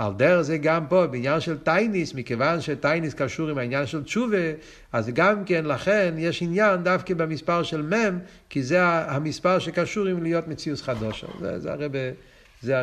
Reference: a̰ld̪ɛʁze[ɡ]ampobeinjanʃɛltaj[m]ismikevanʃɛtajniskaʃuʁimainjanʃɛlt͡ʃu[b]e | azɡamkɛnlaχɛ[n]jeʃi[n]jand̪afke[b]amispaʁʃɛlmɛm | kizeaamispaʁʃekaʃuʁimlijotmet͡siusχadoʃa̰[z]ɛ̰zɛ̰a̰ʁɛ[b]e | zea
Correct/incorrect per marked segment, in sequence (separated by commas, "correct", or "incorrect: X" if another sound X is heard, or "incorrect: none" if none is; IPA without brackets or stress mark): correct, incorrect: n, incorrect: v, correct, correct, correct, correct, correct